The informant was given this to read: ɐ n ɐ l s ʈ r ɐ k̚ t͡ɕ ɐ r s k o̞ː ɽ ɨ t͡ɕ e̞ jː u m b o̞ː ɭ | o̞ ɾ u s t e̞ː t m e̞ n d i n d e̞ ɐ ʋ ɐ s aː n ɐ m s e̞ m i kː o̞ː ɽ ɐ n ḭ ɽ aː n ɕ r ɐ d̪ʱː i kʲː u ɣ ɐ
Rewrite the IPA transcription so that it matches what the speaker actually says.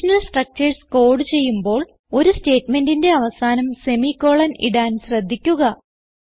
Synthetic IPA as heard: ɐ n ɐ l s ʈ r ɐ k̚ t͡ɕ ɐ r s k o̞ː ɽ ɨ t͡ɕ e̞ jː u m b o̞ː ɭ | o̞ ɾ u s t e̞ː t m e̞ n d i n d e̞ ɐ ʋ ɐ s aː n ɐ m s e̞ m i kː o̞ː ɭ ɐ n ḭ ɽ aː n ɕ r ɐ d̪ʱː i kʲː u ɣ ɐ

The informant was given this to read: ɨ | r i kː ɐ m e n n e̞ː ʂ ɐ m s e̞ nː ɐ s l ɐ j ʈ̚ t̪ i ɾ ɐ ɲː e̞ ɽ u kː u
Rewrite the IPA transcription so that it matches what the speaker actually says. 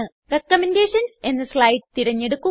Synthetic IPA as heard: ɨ | r e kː ɐ m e n d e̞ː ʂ ɐ n s e̞ nː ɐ s l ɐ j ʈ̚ t̪ i ɾ ɐ ɲː e̞ ɽ u kː u

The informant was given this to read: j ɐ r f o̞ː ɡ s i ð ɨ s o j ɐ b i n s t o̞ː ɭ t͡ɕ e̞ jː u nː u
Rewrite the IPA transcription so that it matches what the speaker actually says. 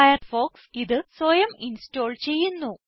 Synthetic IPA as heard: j ɐ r f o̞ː k s i ð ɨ s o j ɐ m i n s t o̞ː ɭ t͡ɕ e̞ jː u nː u

